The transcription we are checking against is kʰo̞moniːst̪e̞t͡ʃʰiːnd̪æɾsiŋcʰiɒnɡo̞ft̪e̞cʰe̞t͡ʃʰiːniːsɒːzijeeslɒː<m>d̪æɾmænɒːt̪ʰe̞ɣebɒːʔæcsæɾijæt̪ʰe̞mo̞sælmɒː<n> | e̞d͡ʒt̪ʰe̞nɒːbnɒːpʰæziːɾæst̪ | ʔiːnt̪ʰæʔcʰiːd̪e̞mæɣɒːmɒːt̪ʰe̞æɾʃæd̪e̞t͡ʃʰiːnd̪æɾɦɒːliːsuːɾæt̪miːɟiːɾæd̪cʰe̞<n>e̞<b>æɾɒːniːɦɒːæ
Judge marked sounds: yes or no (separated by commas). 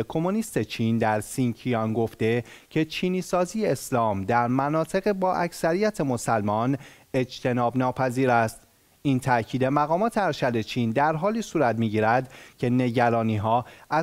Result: yes, yes, yes, no